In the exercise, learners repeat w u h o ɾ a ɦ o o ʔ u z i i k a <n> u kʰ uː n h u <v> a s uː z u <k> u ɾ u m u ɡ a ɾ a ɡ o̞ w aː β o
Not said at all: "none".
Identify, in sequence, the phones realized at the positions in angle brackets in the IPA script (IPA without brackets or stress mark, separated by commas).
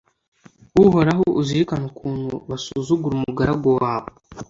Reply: n, β, ɡ